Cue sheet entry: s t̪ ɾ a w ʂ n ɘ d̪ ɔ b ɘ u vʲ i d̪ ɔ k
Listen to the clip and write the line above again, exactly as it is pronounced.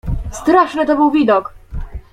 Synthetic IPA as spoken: s t̪ ɾ a ʂ n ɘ t̪ ɔ b ɘ w vʲ i d̪ ɔ k

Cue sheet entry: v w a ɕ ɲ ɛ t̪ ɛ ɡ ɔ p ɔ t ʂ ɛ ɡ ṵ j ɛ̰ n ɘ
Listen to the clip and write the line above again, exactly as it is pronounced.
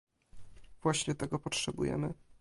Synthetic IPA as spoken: v w a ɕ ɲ ɛ t̪ ɛ ɡ ɔ p ɔ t ʂ ɛ b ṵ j ɛ̰ m ɘ

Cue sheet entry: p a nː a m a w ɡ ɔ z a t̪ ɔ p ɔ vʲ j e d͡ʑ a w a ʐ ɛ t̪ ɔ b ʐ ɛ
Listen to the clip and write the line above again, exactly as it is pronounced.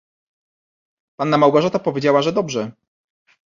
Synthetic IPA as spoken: p a nː a m a w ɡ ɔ ʐ a t̪ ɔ p ɔ vʲ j e d͡ʑ a w a ʐ ɛ d̪ ɔ b ʐ ɛ

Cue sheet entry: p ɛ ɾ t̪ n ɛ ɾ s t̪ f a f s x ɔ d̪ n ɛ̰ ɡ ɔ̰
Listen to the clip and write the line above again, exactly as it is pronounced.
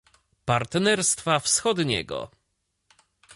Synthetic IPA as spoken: p a ɾ t̪ n ɛ ɾ s t̪ f a f s x ɔ d̪ ɲ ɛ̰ ɡ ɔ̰

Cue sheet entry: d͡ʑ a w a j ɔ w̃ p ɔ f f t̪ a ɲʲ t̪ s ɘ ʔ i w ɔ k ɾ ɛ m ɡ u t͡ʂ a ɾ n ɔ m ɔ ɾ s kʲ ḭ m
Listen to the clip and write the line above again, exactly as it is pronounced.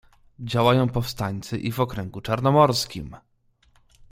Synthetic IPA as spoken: d͡ʑ a w a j ɔ̃ w̃ p ɔ f s t̪ a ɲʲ t̪ s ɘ ʔ i v ɔ k ɾ ɛ ŋ ɡ u t͡ʂ a ɾ n ɔ m ɔ ɾ s kʲ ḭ m

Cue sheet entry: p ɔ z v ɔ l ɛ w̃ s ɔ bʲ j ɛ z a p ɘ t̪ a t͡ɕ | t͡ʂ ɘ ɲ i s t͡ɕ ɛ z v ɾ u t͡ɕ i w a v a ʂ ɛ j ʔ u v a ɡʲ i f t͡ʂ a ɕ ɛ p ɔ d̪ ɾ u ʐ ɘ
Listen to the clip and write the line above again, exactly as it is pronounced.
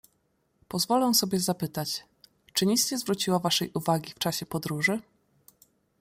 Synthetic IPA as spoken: p ɔ z v ɔ l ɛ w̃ s ɔ bʲ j ɛ z a p ɘ t̪ a t͡ɕ | t͡ʂ ɘ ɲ i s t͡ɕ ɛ z v ɾ u t͡ɕ i w a v a ʂ ɛ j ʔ u v a ɡʲ i f t͡ʂ a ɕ ɛ p ɔ d̪ ɾ u ʐ ɘ

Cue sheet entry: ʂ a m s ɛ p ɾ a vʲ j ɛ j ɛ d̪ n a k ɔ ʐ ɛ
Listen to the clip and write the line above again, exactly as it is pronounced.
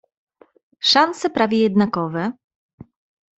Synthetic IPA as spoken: ʂ a n s ɛ p ɾ a vʲ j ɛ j ɛ d̪ n a k ɔ v ɛ

